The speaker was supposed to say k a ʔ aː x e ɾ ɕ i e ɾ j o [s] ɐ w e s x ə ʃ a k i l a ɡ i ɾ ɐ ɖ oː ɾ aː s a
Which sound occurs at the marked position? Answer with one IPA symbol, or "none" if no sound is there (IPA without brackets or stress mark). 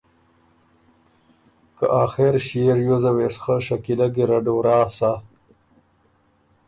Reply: z